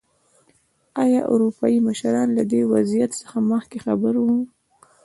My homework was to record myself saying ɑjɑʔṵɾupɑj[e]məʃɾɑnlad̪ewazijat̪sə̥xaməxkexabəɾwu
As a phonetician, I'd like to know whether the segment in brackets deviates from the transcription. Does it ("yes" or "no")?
yes